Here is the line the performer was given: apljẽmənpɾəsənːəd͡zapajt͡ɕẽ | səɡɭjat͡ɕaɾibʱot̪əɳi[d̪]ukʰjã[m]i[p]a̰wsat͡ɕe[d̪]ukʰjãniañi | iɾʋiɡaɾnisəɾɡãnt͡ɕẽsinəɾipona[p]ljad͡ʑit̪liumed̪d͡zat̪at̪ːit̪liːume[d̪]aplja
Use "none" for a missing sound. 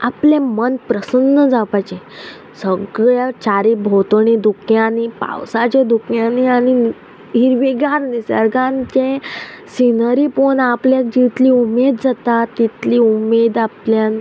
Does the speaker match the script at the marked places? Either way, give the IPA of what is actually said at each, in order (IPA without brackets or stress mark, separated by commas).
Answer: d̪, n, p, d̪, p, d̪